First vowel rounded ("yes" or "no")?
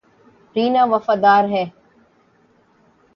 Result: no